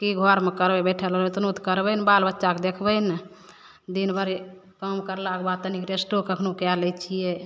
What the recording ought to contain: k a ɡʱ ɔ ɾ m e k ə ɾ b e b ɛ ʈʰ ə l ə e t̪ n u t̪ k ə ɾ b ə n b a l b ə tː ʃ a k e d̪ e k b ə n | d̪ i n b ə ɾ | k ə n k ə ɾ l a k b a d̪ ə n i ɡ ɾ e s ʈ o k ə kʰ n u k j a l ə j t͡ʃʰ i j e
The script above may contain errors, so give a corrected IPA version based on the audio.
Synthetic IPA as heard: k i ɡʱ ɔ ɾ m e k ə ɾ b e b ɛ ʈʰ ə l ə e t̪ n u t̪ k ə ɾ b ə n b a l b ə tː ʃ a k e d̪ e kʰ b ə n | d̪ i n b ə ɾ | k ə m k ə ɾ l a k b a t̪ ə n i k ɾ e s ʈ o k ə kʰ n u k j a l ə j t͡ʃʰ i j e